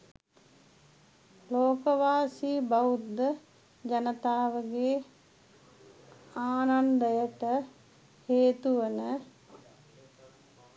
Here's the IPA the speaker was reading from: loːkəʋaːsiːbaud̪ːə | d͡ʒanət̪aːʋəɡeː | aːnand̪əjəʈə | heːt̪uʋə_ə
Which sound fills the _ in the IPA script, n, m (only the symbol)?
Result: n